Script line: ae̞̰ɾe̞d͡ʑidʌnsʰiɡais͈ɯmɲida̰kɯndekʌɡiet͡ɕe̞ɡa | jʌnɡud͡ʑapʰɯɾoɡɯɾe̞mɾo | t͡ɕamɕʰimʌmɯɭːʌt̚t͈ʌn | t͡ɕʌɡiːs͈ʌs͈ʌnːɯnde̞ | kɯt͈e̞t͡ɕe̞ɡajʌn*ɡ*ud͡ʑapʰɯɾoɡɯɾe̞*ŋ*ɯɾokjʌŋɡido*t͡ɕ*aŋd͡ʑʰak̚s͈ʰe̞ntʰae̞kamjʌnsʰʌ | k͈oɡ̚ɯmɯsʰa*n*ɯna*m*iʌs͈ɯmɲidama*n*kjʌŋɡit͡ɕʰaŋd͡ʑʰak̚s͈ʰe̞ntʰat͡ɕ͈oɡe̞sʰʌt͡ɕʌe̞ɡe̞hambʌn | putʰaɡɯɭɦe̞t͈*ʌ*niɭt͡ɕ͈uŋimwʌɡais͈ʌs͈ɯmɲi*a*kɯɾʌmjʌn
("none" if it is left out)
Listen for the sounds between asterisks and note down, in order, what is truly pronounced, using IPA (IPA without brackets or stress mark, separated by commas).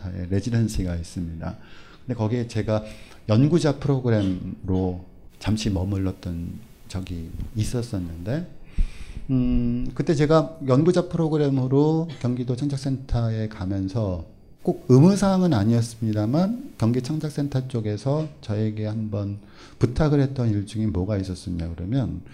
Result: ɡ, m, t͡ɕʰ, ŋ, ɲ, n, ʌ, a